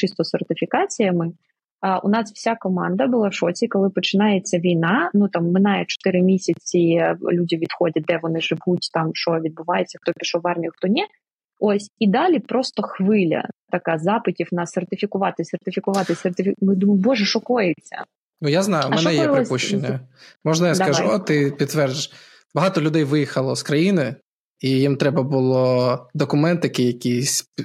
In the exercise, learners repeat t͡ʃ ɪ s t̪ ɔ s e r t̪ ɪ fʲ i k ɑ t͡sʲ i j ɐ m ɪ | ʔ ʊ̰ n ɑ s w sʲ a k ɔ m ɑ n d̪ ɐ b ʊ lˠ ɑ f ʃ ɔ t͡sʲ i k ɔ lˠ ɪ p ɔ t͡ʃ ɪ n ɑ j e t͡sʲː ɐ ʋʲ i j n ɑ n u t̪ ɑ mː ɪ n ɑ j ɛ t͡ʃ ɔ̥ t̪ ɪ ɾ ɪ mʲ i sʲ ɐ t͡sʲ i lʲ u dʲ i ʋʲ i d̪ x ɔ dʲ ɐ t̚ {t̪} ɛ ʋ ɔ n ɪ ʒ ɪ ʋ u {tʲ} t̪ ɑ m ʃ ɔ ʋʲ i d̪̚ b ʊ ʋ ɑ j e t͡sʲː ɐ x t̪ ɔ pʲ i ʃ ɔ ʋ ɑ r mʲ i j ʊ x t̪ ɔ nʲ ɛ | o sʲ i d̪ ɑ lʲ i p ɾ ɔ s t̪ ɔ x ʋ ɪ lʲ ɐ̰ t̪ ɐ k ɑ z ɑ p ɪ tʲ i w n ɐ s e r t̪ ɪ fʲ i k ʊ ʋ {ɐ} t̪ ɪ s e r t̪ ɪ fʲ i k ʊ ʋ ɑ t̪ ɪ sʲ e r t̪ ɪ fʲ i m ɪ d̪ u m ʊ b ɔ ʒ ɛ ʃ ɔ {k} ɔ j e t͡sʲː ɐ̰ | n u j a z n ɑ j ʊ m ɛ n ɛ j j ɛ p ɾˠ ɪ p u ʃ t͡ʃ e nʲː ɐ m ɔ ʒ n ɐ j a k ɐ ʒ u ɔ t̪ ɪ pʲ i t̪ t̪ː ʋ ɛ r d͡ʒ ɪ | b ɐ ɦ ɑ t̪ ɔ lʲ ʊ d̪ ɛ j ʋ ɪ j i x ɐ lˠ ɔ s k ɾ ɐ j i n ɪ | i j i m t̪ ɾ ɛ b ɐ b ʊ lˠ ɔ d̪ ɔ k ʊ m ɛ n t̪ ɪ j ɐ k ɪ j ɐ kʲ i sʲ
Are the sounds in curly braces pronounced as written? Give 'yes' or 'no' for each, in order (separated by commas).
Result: no, yes, no, yes